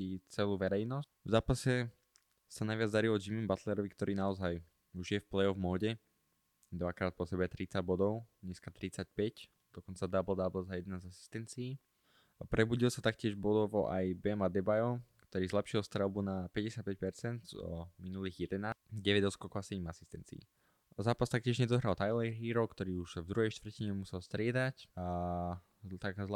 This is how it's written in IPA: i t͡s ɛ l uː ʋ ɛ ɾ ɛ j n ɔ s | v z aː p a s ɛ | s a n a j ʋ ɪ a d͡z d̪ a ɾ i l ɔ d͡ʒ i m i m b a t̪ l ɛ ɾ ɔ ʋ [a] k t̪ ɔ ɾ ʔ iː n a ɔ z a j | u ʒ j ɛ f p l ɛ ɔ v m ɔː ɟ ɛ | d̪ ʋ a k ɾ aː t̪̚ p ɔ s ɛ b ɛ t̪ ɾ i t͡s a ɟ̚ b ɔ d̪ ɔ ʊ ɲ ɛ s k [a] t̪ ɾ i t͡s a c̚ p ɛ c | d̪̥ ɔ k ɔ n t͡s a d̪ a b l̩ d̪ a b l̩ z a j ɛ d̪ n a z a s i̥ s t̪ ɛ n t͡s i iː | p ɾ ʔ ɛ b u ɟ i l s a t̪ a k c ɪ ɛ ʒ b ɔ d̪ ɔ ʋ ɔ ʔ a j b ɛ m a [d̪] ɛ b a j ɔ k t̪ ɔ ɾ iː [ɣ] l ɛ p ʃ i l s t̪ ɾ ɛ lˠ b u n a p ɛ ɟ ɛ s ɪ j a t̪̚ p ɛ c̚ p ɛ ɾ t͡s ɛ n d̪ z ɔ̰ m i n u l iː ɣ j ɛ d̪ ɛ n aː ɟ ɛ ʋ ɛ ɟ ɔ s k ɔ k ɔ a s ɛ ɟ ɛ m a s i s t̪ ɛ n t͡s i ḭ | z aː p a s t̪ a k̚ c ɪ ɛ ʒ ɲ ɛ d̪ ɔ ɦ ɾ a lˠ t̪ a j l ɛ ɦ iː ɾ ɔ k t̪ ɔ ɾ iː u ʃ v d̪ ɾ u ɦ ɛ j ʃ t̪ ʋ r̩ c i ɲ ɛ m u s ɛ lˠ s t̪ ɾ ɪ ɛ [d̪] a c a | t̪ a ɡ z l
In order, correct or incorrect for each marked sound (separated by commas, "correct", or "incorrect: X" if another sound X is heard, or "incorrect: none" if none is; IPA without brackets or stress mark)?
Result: incorrect: i, correct, correct, incorrect: z, correct